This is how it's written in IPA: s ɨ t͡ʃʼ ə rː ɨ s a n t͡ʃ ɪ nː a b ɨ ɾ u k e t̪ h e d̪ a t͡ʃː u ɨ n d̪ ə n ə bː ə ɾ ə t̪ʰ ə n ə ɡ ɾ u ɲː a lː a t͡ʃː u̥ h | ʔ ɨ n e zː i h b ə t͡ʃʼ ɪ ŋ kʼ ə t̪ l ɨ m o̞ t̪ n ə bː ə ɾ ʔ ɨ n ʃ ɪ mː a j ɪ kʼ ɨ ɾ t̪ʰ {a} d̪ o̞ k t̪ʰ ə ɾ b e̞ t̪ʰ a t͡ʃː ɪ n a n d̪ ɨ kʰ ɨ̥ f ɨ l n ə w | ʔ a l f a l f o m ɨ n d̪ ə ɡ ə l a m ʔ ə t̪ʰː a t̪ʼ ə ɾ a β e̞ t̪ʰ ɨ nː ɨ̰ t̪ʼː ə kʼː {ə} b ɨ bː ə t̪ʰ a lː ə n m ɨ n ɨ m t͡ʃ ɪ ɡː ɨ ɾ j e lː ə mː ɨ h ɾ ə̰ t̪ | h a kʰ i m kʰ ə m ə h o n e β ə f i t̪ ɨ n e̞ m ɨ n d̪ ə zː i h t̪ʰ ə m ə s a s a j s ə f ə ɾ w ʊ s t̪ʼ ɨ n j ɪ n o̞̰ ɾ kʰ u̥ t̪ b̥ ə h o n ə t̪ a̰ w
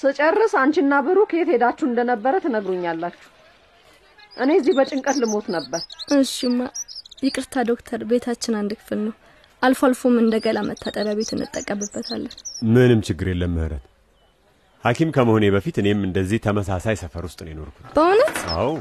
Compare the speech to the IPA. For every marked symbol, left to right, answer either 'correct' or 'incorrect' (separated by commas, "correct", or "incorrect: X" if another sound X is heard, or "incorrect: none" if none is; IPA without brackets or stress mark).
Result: correct, correct